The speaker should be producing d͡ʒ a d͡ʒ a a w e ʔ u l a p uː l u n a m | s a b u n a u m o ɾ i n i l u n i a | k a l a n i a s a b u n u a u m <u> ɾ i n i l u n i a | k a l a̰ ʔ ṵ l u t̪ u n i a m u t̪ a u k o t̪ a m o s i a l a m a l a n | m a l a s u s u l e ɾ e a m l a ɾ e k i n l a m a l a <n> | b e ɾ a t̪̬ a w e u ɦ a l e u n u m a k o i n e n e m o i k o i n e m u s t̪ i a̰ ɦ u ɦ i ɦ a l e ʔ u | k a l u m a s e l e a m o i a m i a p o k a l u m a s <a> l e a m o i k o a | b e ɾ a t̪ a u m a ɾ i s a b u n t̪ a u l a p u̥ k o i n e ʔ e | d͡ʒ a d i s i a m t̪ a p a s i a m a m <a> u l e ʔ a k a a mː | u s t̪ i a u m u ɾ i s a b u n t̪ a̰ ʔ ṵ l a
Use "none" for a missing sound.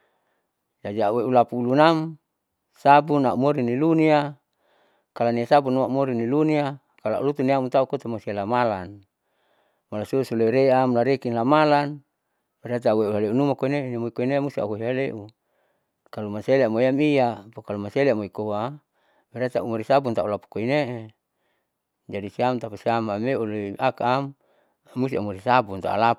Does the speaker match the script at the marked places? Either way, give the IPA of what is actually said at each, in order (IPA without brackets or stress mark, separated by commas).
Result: o, n, e, e